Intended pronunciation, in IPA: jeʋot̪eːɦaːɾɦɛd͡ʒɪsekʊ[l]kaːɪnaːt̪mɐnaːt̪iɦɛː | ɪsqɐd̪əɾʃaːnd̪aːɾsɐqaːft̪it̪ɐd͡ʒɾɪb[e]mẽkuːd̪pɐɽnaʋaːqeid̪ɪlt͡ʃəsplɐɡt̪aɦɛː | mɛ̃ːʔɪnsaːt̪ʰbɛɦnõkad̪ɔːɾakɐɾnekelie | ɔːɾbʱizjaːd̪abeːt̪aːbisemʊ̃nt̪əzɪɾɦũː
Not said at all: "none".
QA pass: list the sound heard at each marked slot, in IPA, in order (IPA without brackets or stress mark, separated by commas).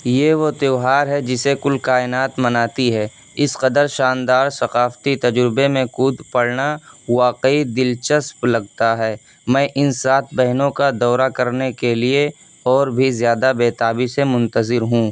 l, e